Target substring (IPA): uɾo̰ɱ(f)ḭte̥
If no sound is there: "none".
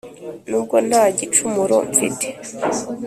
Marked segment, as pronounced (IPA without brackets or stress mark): f